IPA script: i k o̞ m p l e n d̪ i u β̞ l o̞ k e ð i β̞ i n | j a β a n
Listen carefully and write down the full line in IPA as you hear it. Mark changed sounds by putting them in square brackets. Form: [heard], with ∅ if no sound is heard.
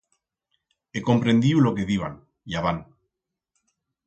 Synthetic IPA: [e] k o̞ m p [ɾ] e n d̪ i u [∅] l o̞ k e ð i β̞ [a] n | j a β a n

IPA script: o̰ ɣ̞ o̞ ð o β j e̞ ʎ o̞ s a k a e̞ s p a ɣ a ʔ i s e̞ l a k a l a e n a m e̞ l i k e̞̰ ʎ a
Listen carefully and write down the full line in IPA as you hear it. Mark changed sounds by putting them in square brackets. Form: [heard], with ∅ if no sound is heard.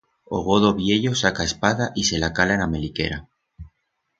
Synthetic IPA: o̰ ɣ̞ o̞ ð o β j e̞ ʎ o̞ s a k a e̞ s p a [ð] a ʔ i s e̞ l a k a l a e n a m e̞ l i k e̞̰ [ɾ] a

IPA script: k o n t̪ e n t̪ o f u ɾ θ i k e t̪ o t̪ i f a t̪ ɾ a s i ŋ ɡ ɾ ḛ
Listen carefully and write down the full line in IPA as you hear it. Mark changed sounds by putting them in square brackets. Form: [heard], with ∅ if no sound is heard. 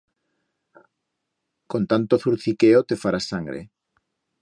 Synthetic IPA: k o n t̪ [a] n t̪ o [θ] u ɾ θ i k e [∅] o t̪ [e] f a [∅] ɾ a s [a] ŋ ɡ ɾ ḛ

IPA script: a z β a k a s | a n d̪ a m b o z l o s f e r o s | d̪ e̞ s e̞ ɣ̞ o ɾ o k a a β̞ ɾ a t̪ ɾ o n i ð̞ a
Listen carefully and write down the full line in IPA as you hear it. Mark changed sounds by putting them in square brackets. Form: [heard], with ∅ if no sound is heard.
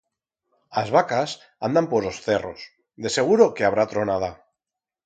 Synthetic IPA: a z β a k a s | a n d̪ a m [p] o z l o s [θ] e r o s | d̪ e̞ s e̞ ɣ̞ [u] ɾ o k [e] a β̞ ɾ a t̪ ɾ o n [a] ð̞ a

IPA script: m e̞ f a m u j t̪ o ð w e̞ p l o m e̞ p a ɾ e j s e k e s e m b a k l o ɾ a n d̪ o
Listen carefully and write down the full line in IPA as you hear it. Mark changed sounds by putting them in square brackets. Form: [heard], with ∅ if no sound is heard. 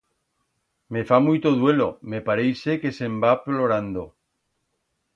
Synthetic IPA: m e̞ f a m u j t̪ o ð w e̞ [∅] l o m e̞ p a ɾ e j s e k e s e m b a [p] l o ɾ a n d̪ o

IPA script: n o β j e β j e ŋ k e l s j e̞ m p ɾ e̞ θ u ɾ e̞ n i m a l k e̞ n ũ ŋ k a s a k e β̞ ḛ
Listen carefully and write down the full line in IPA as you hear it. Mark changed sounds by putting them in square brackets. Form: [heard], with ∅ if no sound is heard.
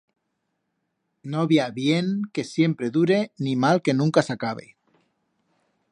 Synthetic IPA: n o β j [a] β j e ŋ k e [∅] s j e̞ m p ɾ e̞ [ð] u ɾ e̞ n i m a l k e̞ n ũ ŋ k a s a k [a] β̞ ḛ

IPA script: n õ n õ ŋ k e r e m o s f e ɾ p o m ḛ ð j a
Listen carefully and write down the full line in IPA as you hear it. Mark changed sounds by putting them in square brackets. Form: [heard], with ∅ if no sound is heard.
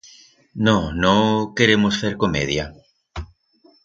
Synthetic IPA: n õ n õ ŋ k e [ɾ] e m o s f e ɾ [k] o m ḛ ð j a

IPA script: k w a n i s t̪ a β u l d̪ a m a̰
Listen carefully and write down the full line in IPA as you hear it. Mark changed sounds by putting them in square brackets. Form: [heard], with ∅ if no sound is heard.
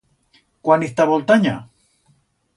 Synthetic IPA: k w a n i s t̪ a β [o] l [t̪] a [ɲ] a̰

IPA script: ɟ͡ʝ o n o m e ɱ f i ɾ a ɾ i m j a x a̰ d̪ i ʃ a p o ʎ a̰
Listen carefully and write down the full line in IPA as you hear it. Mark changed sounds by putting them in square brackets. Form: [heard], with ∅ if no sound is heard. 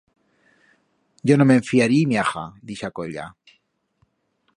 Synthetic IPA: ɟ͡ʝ o n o m e ɱ f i [∅] a ɾ i m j a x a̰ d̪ i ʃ a [k] o ʎ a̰

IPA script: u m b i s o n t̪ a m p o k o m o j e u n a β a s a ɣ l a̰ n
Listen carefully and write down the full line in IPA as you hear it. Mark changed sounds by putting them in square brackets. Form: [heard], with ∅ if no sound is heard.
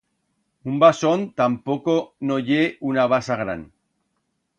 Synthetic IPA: u m b [a] s o n t̪ a m p o k o [n] o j e u n a β a s a ɣ [ɾ] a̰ n

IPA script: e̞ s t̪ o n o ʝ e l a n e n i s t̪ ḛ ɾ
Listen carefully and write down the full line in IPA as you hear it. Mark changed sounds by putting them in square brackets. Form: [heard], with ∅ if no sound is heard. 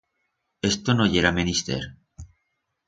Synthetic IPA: e̞ s t̪ o n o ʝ e [ɾ] a [m] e n i s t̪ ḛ ɾ

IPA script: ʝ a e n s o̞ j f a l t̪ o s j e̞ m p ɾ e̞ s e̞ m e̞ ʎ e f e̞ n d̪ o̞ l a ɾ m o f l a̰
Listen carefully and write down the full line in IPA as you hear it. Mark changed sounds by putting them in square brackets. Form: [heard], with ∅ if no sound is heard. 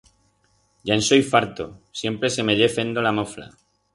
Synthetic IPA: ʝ a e n s o̞ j f a [ɾ] t̪ o s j e̞ m p ɾ e̞ s e̞ m e̞ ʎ e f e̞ n d̪ o̞ l a [∅] m o f l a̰

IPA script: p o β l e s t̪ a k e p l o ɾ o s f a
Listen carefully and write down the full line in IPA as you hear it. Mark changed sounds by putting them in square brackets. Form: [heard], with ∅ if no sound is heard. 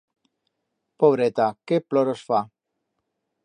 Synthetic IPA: p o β [ɾ] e [∅] t̪ a k e p l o ɾ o s f a

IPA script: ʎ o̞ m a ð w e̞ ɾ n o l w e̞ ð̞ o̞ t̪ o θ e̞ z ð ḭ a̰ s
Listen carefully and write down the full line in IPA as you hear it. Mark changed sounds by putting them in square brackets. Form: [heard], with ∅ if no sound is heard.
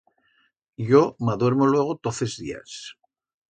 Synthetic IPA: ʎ o̞ m a ð w e̞ ɾ [m] o l w e̞ [ɣ̞] o̞ t̪ o θ e̞ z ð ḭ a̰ s

